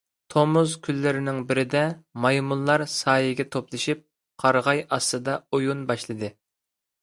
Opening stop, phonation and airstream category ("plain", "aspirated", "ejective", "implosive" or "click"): aspirated